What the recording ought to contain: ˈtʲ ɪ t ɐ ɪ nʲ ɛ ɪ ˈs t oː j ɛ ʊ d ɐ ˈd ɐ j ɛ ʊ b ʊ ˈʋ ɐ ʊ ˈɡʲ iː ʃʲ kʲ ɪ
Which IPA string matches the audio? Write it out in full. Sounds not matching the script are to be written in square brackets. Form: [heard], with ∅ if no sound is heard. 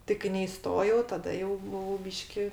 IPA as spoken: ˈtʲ ɪ [k] ɐ ɪ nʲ ɛ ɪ ˈs t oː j ɛ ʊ [t] ɐ ˈd ɐ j ɛ ʊ b ʊ ˈʋ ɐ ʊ [ˈbʲ] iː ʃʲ kʲ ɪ